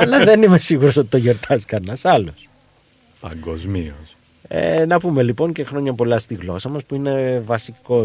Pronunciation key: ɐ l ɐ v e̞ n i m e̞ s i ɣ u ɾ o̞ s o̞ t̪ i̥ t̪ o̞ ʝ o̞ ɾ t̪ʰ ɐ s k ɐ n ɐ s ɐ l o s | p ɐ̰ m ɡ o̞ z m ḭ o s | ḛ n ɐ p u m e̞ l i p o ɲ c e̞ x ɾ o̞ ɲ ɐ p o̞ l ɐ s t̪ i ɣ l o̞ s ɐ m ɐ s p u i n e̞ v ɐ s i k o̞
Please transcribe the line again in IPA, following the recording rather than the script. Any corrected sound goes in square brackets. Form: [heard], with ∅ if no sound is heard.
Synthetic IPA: ɐ l ɐ [ð] e̞ n i m e̞ s i ɣ u ɾ o̞ s o̞ t̪ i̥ t̪ o̞ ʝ o̞ ɾ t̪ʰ ɐ s k ɐ n ɐ s ɐ l o s | p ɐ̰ [ŋ] ɡ o̞ z m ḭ o s | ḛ n ɐ p u m e̞ l i p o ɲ c e̞ x ɾ o̞ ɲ ɐ p o̞ l ɐ s t̪ i ɣ l o̞ s ɐ m ɐ s p u i n e̞ v ɐ s i k o̞